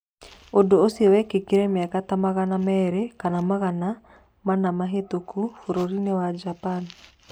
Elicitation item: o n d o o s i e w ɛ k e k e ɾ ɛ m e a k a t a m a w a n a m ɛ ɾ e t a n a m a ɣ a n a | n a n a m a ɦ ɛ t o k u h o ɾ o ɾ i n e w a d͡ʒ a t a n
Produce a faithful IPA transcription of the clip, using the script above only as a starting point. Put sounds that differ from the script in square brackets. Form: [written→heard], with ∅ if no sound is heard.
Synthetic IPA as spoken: o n d o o s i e w ɛ k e k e ɾ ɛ m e a k a t a m a [w→ɣ] a n a m ɛ ɾ e [t→k] a n a m a ɣ a n a | [n→m] a n a m a ɦ [ɛ→e] t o k u [h→f] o ɾ o ɾ i n e w a d͡ʒ a [t→p] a n